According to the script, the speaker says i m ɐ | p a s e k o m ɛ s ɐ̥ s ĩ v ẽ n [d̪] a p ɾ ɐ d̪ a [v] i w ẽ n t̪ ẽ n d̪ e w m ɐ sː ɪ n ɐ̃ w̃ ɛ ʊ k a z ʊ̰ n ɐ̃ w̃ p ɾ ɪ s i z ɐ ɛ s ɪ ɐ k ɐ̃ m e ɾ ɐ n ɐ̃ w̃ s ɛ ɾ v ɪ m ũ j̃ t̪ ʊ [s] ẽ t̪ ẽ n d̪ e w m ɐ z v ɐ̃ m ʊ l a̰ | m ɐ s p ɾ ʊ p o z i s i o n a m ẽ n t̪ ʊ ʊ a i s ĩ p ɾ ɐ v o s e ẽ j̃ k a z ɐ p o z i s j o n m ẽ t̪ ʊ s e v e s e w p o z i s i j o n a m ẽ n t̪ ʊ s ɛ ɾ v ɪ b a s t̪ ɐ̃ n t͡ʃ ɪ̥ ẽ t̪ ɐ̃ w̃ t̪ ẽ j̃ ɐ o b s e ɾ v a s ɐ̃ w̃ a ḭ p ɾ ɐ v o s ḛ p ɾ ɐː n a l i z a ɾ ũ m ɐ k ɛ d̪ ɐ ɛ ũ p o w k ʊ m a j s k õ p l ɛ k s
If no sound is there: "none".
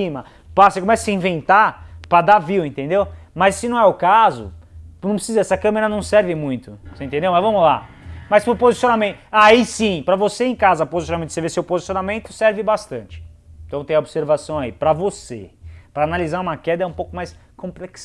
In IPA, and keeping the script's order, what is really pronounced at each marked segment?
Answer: t̪, v, s

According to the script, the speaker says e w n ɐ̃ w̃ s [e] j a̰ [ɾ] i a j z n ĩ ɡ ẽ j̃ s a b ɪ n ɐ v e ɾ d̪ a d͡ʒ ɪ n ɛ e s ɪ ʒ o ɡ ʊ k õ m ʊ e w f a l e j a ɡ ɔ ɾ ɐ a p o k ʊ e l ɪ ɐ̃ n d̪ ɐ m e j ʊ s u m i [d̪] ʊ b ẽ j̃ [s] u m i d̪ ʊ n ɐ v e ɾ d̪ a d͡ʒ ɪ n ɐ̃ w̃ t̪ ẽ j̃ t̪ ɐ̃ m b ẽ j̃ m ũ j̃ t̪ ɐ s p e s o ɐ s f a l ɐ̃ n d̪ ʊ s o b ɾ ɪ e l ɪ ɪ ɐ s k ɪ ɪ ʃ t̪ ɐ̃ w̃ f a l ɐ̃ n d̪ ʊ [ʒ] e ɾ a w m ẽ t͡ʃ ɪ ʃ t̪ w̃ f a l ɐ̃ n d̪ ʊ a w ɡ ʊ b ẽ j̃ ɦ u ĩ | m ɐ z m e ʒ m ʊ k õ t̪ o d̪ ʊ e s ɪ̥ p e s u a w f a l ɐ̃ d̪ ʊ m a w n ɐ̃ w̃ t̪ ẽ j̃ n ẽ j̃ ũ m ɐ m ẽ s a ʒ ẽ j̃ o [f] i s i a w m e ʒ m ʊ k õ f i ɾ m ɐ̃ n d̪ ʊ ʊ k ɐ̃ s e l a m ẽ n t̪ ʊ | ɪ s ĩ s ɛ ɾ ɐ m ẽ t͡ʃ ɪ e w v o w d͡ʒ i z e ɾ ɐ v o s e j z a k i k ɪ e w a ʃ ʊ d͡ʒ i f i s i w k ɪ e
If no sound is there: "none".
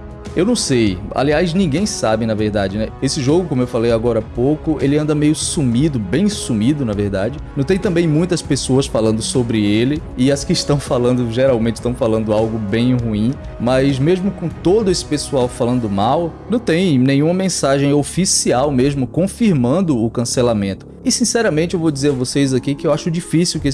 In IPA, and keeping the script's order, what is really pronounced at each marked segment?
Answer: e, l, d̪, s, ʒ, f

